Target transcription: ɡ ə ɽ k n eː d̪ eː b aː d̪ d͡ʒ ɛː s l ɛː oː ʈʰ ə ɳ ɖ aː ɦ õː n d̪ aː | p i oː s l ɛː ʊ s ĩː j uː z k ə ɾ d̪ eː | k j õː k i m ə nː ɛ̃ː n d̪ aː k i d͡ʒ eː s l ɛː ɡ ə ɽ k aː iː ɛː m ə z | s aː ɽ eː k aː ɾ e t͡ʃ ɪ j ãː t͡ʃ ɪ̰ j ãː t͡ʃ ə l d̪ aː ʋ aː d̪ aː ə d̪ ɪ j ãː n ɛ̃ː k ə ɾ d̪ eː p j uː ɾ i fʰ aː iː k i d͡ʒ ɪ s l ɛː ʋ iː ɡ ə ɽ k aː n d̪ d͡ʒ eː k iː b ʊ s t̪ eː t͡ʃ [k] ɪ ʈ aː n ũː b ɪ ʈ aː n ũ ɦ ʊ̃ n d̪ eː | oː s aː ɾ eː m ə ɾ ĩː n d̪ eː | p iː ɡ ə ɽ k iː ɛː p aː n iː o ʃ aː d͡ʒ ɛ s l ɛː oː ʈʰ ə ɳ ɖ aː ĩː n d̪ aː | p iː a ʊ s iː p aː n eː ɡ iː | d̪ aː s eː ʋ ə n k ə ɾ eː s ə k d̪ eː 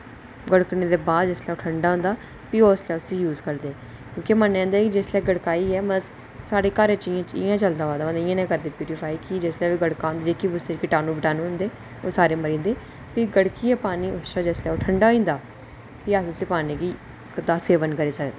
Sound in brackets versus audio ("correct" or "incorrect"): correct